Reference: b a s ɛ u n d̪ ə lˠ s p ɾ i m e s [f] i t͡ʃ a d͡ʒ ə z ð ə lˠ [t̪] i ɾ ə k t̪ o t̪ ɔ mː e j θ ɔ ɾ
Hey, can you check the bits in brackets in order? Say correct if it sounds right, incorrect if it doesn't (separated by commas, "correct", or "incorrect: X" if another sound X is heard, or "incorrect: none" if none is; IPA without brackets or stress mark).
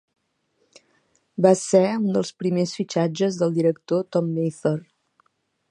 correct, incorrect: d̪